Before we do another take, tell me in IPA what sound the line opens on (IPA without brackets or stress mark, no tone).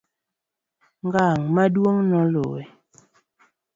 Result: ŋ